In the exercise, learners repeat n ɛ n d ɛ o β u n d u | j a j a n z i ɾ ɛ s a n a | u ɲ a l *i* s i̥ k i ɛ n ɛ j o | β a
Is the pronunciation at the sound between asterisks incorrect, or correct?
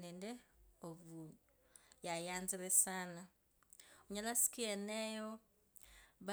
incorrect